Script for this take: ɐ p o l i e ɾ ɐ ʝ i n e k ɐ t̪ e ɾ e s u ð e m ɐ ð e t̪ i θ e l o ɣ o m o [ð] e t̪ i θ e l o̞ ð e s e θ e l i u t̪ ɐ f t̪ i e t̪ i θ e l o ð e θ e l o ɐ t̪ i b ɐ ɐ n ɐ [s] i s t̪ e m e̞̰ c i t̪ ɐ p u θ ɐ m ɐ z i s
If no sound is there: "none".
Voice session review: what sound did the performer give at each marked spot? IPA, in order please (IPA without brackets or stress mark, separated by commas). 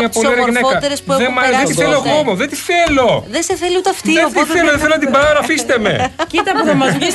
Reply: ð, f